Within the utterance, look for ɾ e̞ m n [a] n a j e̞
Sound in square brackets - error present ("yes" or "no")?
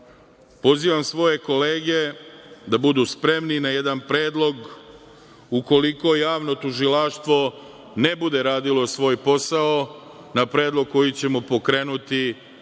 yes